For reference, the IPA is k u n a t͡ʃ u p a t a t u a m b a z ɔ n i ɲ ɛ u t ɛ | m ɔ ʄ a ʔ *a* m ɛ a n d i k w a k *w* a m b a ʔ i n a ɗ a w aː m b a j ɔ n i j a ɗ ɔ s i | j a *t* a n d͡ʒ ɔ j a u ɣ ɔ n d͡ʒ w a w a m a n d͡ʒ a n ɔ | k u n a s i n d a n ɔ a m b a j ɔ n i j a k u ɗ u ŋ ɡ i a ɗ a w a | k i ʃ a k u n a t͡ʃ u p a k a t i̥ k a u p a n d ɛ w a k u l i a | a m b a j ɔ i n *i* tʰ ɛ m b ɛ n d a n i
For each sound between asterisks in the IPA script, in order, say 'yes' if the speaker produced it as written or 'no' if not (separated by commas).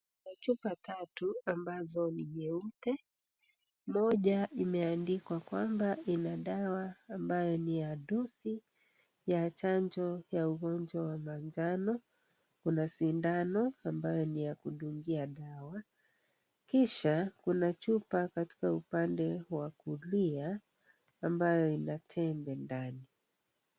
no, yes, no, no